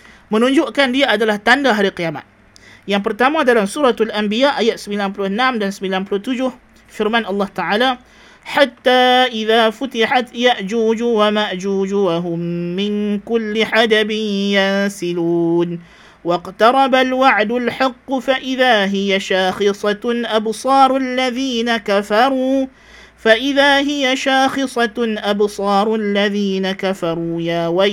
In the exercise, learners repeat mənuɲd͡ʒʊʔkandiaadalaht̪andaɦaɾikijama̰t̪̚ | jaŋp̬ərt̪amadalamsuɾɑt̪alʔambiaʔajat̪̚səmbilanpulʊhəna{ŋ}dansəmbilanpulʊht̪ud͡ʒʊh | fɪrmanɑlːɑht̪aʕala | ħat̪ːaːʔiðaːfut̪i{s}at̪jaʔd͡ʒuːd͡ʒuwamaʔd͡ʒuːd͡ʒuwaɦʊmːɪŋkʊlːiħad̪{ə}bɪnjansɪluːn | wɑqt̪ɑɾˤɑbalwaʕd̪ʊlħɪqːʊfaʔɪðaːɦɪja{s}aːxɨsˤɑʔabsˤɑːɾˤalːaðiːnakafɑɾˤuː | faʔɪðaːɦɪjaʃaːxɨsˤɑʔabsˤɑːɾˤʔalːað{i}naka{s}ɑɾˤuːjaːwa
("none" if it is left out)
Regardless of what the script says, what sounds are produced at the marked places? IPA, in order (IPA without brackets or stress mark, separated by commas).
m, ħ, a, ʃ, iː, f